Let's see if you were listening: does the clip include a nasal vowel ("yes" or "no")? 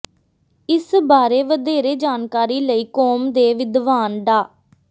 no